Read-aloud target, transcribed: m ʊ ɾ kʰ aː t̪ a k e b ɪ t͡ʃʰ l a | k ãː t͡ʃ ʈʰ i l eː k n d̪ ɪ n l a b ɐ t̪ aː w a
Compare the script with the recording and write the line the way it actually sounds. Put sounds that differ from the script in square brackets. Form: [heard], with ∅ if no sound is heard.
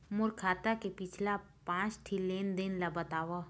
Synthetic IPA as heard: m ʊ ɾ kʰ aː t̪ a k e [p] ɪ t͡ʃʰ l a | [p] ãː t͡ʃ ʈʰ i l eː [∅] n d̪ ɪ n l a b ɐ t̪ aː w a

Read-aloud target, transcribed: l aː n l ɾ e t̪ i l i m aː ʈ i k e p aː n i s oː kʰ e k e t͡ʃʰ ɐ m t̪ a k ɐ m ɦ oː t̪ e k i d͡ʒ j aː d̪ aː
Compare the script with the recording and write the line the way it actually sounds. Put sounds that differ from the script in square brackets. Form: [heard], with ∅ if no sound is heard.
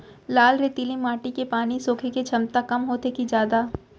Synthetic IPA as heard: l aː [∅] l ɾ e t̪ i l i m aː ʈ i k e p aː n i s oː kʰ e k e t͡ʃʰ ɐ m t̪ a k ɐ m ɦ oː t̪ e k i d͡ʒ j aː d̪ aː

